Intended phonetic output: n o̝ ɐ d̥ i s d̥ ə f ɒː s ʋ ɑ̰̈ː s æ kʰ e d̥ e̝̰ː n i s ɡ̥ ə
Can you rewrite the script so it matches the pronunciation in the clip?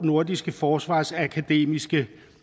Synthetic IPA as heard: n o̝ ɐ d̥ i s ɡ̥ ə f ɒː s ʋ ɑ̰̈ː s æ kʰ æ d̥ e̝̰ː m i s ɡ̥ ə